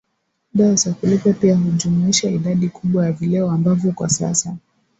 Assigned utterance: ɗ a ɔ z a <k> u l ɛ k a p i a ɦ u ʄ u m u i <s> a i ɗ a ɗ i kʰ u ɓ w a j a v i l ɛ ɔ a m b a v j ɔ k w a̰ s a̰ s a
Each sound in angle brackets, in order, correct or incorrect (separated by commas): correct, incorrect